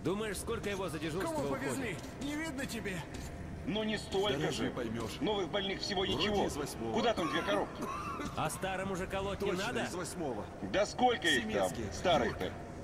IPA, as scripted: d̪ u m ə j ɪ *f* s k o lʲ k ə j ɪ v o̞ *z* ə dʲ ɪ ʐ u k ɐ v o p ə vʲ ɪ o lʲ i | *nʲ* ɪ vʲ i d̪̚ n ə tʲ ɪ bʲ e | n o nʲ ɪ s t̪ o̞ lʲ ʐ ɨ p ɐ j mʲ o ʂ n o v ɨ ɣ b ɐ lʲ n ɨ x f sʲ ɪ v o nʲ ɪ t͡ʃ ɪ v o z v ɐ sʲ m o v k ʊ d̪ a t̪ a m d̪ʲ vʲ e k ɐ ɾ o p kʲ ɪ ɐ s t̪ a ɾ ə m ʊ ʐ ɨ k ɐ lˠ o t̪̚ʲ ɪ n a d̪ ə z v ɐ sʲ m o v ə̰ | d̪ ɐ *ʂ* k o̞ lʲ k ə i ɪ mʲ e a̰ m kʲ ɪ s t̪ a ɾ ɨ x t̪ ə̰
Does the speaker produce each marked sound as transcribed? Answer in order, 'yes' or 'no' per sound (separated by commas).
no, yes, yes, no